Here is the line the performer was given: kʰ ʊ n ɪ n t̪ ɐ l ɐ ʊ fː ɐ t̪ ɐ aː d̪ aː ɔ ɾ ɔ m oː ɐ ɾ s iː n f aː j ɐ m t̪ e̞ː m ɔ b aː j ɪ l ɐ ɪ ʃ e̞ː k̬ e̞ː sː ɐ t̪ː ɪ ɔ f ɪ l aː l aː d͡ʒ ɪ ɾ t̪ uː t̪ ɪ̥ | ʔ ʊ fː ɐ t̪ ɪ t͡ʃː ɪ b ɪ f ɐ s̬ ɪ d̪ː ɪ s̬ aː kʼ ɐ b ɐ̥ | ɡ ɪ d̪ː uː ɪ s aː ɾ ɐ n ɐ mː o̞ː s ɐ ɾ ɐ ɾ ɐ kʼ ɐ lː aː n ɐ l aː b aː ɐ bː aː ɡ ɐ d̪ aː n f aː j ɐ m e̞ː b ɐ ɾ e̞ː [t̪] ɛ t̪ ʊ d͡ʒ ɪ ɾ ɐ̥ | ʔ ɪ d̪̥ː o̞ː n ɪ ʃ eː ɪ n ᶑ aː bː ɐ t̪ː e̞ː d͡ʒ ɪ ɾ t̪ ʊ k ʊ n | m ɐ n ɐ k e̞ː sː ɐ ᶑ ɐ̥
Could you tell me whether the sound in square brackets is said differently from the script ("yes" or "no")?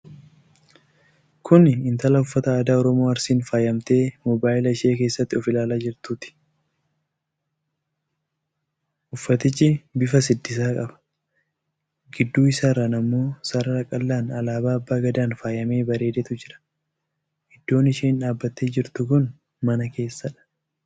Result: yes